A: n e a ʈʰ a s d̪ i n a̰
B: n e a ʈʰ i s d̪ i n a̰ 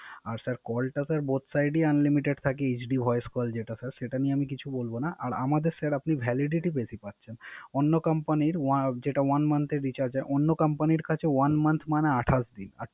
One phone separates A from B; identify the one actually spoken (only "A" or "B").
A